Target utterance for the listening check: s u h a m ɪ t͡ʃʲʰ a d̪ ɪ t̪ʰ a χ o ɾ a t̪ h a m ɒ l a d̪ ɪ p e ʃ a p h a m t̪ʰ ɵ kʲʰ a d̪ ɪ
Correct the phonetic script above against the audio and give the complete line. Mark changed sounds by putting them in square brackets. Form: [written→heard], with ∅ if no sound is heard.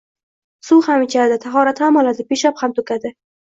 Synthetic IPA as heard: s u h a m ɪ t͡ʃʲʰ a d̪ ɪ t̪ʰ a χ [o→ɒ] ɾ a t̪ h a m ɒ l a d̪ ɪ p e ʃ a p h a m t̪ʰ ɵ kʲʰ a d̪ ɪ